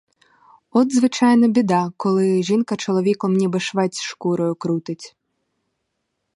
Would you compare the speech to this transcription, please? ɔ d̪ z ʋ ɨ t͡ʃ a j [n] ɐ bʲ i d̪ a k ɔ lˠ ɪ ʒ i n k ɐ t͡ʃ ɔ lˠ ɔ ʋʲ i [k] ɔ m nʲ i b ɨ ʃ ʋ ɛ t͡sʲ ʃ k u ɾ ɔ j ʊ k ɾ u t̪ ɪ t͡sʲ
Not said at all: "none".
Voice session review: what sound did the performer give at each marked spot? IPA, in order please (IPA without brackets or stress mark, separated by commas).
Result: n, k